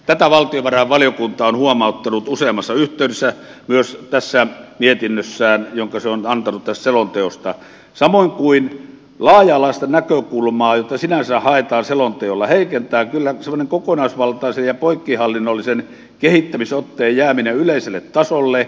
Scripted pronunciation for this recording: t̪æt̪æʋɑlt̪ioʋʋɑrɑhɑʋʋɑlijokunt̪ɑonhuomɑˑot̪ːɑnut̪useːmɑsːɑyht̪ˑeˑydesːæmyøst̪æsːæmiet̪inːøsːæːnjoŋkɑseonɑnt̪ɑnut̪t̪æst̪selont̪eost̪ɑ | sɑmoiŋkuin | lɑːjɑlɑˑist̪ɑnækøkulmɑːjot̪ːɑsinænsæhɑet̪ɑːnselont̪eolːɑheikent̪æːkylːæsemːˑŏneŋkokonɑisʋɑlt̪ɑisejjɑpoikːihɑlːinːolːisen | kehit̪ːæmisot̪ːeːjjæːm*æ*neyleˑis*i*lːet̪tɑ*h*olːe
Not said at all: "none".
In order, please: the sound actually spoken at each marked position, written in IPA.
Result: i, e, s

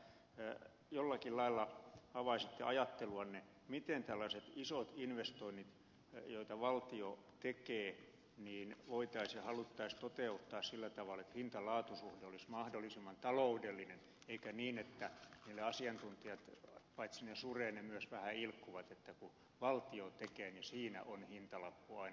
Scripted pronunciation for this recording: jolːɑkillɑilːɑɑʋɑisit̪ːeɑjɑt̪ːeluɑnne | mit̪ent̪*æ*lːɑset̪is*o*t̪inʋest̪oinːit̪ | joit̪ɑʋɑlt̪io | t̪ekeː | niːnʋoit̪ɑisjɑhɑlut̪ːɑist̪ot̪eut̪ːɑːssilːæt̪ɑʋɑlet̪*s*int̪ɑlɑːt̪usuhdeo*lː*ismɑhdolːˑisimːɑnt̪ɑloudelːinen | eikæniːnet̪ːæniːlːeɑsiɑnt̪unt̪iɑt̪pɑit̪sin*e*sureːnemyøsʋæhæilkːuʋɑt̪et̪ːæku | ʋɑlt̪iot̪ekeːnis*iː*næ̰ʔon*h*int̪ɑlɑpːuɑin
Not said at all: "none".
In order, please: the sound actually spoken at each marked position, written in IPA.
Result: æ, o, h, l, e, iː, h

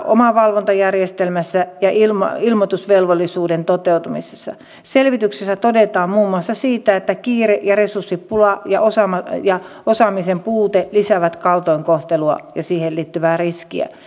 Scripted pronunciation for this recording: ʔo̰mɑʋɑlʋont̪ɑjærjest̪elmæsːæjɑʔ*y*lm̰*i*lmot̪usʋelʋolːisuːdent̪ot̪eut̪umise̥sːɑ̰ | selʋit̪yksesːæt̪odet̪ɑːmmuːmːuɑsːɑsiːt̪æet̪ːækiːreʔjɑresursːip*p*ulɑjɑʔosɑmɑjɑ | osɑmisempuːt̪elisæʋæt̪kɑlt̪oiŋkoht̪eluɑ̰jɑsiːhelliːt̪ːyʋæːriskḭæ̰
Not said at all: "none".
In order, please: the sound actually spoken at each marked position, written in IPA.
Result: i, i, p

